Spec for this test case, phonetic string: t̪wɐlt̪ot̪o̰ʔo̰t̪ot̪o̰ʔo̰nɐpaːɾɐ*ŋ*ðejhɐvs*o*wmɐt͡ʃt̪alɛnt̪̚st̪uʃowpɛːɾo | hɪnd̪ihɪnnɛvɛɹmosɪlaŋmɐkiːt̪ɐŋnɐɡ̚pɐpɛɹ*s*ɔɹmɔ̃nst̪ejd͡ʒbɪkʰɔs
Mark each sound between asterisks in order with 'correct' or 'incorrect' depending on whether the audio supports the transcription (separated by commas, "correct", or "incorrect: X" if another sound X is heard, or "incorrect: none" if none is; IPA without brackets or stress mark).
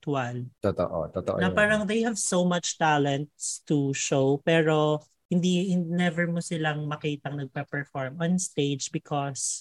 correct, correct, incorrect: f